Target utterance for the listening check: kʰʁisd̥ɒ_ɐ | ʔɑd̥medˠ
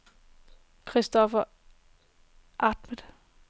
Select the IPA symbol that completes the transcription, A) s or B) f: B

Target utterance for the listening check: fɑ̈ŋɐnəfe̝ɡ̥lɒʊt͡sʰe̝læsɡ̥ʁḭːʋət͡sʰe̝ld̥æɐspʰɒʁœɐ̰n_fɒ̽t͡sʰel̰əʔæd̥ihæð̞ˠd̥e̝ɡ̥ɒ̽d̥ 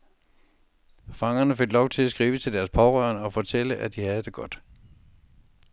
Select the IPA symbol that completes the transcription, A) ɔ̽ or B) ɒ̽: B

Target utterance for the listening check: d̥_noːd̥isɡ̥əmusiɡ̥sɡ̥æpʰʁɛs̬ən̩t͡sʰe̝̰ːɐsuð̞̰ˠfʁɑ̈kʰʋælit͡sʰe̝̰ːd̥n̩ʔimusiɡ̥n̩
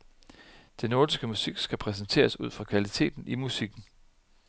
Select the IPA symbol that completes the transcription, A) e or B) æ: A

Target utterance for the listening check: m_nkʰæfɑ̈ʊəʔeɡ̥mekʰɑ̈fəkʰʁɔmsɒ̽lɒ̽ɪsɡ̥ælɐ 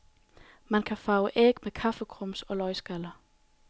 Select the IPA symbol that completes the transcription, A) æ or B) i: A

